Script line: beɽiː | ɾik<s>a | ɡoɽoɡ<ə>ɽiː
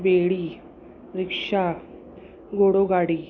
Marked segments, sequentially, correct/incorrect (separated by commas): incorrect, incorrect